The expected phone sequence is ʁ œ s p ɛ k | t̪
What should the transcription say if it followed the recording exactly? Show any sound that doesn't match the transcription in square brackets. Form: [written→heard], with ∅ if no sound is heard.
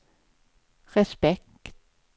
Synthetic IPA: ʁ [œ→ɛ] s p ɛ k | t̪